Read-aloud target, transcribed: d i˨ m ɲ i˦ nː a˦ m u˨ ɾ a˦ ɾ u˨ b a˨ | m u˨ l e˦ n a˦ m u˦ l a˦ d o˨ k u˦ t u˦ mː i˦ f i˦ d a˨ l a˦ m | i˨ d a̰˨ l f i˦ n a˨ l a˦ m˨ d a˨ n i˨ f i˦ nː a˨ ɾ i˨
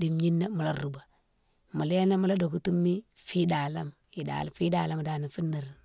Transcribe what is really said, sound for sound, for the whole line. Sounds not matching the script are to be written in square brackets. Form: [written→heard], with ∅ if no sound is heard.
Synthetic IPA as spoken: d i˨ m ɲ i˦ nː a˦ m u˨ [ɾ→l] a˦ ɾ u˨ b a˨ | m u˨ l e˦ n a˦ m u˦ l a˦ d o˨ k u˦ t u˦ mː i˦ f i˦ d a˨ l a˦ m | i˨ d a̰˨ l f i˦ [n→d] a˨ l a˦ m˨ d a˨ n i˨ f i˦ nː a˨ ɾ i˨